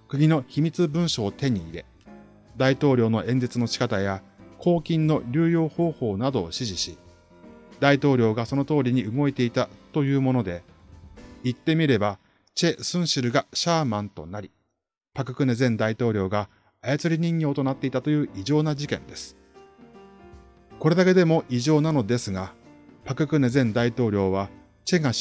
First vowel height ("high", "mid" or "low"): high